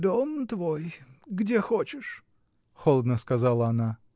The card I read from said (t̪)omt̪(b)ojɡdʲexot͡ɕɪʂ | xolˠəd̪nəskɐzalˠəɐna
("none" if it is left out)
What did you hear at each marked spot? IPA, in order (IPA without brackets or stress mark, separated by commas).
d̪, v